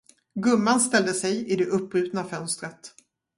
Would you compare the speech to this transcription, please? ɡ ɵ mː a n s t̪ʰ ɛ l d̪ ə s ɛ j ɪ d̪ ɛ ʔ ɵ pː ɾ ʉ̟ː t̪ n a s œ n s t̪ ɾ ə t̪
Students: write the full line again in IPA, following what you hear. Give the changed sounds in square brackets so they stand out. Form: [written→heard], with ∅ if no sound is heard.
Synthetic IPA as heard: ɡ ɵ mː a n s [t̪ʰ→t̪] ɛ l d̪ ə s ɛ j ɪ d̪ ɛ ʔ ɵ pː ɾ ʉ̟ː t̪ n a [s→f] œ n s t̪ ɾ ə t̪